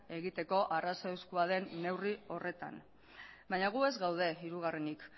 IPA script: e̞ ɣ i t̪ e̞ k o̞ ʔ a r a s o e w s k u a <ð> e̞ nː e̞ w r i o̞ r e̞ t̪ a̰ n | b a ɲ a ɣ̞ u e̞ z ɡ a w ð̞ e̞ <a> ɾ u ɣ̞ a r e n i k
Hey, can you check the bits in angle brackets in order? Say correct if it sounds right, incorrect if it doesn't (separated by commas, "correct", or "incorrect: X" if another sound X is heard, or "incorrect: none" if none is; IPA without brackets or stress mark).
correct, incorrect: i